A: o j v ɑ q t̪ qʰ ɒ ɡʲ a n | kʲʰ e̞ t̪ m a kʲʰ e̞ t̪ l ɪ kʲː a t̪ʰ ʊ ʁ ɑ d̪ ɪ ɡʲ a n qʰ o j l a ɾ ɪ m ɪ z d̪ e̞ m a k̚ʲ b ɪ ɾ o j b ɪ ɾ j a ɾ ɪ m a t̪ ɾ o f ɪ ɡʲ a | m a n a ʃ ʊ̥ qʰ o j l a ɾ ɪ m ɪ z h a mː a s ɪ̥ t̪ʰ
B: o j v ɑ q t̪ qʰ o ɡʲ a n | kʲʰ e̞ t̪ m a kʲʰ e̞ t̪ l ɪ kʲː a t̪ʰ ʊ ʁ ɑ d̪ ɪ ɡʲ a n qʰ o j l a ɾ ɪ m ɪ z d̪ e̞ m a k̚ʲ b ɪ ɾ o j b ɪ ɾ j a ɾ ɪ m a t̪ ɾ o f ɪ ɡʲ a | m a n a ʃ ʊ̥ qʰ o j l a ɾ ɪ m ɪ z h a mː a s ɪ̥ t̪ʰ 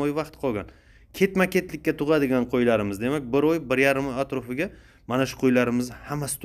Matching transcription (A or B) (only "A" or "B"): A